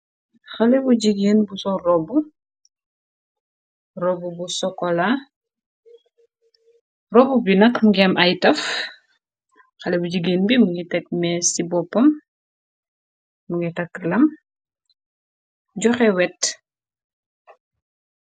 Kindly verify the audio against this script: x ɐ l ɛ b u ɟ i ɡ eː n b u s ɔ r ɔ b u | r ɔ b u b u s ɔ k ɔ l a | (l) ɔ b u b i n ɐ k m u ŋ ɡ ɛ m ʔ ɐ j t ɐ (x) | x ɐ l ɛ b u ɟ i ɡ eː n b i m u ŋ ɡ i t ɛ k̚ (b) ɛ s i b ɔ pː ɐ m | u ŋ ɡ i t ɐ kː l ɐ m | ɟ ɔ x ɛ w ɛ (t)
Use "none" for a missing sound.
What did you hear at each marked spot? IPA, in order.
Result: r, f, m, t

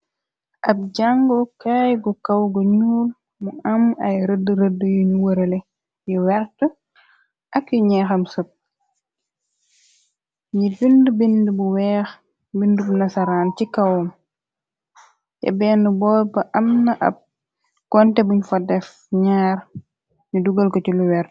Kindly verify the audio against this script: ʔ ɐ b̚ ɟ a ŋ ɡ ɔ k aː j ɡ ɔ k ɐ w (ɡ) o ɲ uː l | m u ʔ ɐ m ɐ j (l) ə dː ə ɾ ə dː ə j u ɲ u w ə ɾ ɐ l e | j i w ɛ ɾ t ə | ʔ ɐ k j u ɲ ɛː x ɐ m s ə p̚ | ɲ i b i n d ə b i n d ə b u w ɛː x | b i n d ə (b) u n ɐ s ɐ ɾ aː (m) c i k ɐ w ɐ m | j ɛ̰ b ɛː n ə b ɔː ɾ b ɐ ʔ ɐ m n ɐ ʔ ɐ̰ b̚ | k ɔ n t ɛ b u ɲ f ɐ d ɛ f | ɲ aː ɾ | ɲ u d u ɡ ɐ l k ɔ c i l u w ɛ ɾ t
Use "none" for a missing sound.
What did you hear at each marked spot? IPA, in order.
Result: ɡ, ɾ, b, n

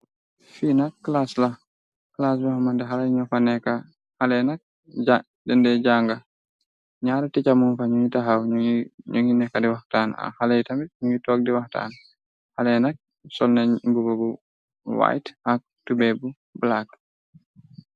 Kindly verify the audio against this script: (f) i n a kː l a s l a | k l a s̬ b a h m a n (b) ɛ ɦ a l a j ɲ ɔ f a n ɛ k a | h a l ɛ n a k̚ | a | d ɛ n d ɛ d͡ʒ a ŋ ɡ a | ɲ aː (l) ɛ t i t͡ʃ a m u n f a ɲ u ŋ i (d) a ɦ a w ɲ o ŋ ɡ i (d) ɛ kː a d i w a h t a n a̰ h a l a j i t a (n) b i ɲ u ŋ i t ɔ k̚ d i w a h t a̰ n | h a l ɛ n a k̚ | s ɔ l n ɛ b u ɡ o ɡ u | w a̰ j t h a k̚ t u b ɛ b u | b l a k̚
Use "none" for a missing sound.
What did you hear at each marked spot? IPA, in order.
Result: f, d, ɾ, t, n, m

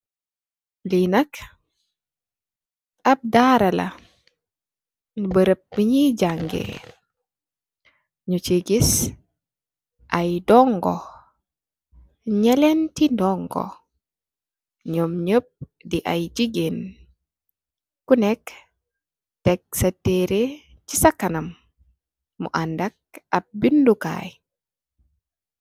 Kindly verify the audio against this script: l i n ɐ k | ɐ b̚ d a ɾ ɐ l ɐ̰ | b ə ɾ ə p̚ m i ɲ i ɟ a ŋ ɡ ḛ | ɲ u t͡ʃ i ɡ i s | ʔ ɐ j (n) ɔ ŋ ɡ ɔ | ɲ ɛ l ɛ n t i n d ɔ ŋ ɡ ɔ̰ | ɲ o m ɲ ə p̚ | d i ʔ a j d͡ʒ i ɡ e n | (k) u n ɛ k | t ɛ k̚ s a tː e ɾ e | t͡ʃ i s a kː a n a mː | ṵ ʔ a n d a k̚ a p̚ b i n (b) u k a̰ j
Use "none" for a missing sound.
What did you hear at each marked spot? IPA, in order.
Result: d, k, d

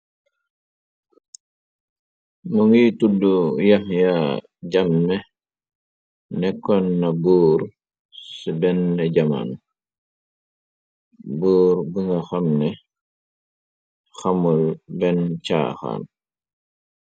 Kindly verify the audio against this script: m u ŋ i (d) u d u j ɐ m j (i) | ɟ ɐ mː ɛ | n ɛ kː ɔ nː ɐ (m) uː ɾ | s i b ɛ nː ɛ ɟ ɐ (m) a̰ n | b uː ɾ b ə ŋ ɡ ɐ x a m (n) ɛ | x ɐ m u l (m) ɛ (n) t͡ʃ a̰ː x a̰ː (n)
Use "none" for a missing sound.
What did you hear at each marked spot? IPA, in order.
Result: t, a, b, m, n, b, n, n

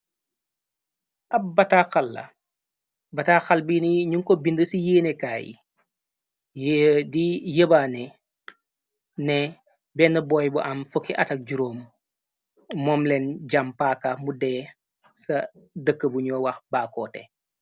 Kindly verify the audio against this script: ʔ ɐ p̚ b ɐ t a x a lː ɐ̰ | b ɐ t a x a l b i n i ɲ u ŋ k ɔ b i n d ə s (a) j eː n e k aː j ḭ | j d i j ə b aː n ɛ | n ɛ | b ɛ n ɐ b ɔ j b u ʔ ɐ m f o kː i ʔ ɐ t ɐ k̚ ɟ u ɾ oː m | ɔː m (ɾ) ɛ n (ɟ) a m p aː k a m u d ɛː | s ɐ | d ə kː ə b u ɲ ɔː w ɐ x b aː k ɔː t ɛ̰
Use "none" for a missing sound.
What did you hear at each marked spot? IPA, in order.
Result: i, l, ɟ

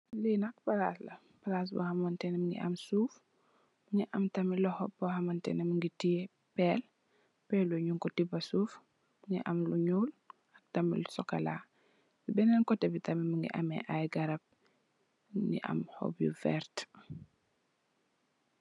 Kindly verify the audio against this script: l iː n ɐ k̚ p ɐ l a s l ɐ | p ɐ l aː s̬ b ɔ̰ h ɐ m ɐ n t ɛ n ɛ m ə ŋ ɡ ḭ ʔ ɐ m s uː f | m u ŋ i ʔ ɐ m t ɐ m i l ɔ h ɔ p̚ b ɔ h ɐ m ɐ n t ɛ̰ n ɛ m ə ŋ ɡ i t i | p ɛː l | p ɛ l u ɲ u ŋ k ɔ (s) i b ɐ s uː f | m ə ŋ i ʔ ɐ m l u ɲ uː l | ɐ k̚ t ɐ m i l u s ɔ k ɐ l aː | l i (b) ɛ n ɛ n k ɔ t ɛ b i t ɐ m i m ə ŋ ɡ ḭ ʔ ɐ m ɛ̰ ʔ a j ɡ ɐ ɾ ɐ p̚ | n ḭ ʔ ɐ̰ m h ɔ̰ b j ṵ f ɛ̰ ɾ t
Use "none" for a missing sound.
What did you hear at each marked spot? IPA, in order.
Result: t, b

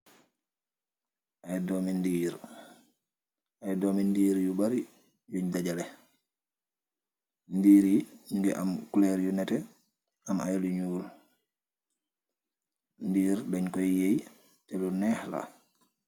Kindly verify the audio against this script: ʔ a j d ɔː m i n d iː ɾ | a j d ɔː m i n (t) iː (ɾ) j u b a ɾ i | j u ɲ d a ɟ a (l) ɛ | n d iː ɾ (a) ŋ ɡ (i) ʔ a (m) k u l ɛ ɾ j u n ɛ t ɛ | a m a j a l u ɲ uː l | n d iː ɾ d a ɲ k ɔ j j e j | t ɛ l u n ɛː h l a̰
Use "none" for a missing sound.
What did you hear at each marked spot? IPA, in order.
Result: d, ɾ, l, i, ɛ, m

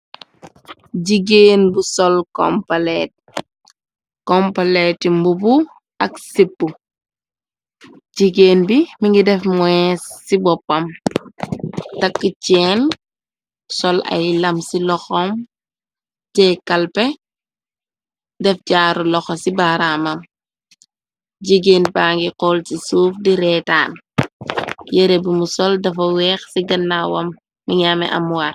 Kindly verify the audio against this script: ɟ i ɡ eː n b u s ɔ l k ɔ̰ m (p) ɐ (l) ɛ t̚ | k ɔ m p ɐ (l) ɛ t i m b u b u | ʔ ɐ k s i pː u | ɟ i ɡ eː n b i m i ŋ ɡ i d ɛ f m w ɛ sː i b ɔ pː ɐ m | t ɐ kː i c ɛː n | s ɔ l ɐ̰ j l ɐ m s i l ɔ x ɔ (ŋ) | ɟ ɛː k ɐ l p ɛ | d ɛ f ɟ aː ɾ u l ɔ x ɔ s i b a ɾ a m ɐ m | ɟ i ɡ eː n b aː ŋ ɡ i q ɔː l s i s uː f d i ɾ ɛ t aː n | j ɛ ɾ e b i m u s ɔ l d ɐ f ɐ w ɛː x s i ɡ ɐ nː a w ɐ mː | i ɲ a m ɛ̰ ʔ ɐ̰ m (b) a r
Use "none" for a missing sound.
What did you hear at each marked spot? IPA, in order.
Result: p, l, l, m, w

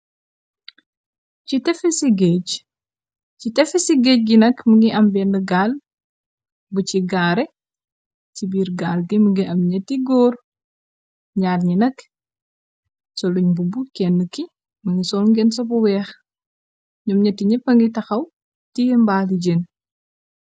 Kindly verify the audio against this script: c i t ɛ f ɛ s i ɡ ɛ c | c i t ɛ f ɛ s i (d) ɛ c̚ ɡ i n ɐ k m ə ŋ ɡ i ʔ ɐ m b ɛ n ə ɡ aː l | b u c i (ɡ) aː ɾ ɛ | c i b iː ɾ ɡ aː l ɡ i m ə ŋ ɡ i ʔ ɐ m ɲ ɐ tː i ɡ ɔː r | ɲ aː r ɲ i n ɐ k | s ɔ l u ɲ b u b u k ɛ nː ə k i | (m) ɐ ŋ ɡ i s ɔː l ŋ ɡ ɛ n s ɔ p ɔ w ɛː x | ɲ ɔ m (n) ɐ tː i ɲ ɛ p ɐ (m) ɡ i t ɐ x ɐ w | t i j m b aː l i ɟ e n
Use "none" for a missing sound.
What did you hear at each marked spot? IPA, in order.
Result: ɡ, ɡ, m, ɲ, ŋ

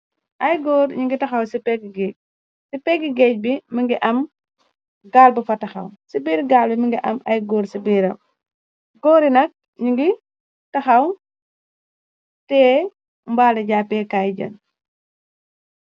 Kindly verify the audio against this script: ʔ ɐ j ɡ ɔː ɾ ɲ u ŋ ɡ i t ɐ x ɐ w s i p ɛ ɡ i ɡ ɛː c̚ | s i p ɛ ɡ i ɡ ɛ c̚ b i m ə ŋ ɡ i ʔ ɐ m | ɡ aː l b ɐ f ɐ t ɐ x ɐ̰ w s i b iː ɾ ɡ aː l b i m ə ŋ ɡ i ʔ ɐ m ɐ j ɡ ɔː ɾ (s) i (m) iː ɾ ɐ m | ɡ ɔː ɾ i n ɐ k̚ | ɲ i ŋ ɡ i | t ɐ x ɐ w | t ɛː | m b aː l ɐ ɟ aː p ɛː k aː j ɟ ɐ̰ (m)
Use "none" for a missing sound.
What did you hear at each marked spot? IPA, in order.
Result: s, b, n

